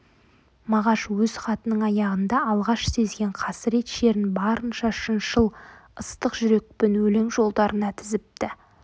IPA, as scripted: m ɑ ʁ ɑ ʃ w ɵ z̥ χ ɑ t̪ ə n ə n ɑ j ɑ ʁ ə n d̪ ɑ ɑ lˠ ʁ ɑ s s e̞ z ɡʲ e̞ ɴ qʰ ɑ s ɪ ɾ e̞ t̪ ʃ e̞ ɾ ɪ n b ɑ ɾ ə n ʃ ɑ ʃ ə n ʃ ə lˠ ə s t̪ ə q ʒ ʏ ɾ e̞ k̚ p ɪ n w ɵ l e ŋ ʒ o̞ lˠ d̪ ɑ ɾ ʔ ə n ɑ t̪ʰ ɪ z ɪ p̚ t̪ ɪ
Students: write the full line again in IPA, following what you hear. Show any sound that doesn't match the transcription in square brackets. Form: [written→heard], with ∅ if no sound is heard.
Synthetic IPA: m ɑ ʁ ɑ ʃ w ɵ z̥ χ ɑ t̪ ə n ə [n→ɴ] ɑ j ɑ ʁ ə n d̪ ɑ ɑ lˠ ʁ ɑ [s→ʃ] s e̞ z ɡʲ e̞ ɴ qʰ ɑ s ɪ ɾ e̞ t̪ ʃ e̞ ɾ ɪ n b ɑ ɾ ə n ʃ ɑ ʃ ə n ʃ ə lˠ ə s t̪ ə q ʒ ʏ ɾ e̞ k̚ p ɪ n w ɵ l e ŋ ʒ o̞ lˠ d̪ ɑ ɾ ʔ ə n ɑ t̪ʰ ɪ z ɪ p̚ t̪ ɪ

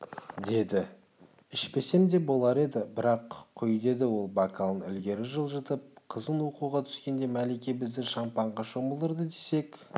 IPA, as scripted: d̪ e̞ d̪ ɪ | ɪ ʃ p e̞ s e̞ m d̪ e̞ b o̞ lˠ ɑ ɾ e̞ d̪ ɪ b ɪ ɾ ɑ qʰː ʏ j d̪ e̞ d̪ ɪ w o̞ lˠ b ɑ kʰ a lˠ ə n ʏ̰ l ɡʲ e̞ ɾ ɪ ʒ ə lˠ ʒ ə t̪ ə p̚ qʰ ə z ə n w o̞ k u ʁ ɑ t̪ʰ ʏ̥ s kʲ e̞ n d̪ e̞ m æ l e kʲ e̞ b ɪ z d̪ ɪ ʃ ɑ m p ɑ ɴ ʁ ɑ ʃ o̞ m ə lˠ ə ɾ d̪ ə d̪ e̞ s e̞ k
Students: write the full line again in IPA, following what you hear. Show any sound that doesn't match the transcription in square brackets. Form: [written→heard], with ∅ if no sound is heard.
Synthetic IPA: d̪ e̞ d̪ ɪ | ɪ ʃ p e̞ s e̞ m d̪ e̞ b o̞ lˠ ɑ ɾ e̞ d̪ ɪ b ɪ ɾ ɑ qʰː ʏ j d̪ e̞ d̪ ɪ w o̞ lˠ b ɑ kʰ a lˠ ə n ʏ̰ l ɡʲ e̞ ɾ ɪ ʒ ə lˠ ʒ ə t̪ ə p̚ qʰ ə z ə n w o̞ [k→q] u ʁ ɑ t̪ʰ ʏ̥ s kʲ e̞ n d̪ e̞ m æ l e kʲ e̞ b ɪ z d̪ ɪ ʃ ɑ m p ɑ ɴ ʁ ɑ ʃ o̞ m ə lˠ ə ɾ d̪ ə d̪ e̞ s e̞ k

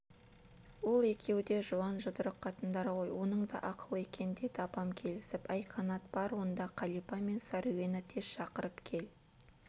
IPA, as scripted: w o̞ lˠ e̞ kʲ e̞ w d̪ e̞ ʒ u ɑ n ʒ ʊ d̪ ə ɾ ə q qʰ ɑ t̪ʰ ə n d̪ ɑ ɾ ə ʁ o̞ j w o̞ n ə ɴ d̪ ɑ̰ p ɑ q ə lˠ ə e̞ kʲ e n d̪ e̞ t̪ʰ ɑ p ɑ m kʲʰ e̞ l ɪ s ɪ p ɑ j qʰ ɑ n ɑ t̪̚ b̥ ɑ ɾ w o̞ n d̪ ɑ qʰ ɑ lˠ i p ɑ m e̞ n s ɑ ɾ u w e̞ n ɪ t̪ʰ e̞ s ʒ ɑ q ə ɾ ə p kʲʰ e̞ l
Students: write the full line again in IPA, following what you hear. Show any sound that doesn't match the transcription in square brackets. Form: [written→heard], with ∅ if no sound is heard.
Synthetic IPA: w o̞ lˠ e̞ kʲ e̞ w d̪ e̞ ʒ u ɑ n ʒ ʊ d̪ ə ɾ ə q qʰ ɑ [t̪ʰ→t̪] ə n d̪ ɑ ɾ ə ʁ o̞ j w o̞ n ə ɴ d̪ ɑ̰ [p→ʔ] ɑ q ə lˠ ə e̞ kʲ e n d̪ e̞ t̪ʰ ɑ p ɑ m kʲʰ e̞ l ɪ s ɪ p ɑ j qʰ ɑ n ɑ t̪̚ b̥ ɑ ɾ w o̞ n d̪ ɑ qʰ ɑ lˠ i p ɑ m e̞ n s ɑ ɾ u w e̞ n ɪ t̪ʰ e̞ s [ʒ→ʃ] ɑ q ə ɾ ə p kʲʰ e̞ l

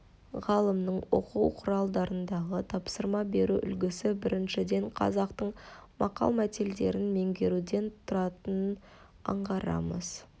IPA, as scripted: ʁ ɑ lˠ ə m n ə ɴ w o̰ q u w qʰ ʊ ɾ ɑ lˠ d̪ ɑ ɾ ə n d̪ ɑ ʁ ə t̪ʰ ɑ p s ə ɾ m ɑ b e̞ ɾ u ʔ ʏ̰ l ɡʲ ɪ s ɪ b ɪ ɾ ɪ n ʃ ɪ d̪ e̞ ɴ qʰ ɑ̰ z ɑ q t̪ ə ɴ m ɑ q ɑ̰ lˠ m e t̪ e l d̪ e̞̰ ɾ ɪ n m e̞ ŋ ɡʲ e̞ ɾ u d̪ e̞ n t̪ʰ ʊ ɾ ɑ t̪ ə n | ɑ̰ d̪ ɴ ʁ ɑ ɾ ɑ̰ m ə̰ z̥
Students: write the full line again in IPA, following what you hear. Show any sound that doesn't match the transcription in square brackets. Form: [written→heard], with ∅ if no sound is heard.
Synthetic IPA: ʁ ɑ lˠ ə m n ə ɴ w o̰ q u w qʰ ʊ ɾ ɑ lˠ d̪ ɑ ɾ ə n d̪ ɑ ʁ ə t̪ʰ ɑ p s ə ɾ m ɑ b e̞ ɾ u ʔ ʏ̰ l ɡʲ ɪ s ɪ b ɪ ɾ ɪ n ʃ ɪ d̪ e̞ ɴ qʰ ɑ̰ z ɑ q t̪ ə ɴ m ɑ q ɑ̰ lˠ m [e→æ] t̪ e l d̪ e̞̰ ɾ ɪ n m e̞ ŋ ɡʲ e̞ ɾ u d̪ e̞ n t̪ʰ ʊ ɾ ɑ t̪ ə n | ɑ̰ [d̪→∅] ɴ ʁ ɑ ɾ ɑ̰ m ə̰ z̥

